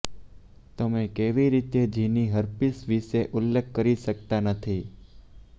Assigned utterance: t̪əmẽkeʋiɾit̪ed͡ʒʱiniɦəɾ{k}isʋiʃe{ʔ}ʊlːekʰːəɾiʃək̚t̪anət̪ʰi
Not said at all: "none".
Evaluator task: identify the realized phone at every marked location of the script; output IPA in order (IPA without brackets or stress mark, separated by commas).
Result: p, ʔ